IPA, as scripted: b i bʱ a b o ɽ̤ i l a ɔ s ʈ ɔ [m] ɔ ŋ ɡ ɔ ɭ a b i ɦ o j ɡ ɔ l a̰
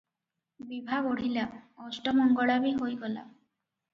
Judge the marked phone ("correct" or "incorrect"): correct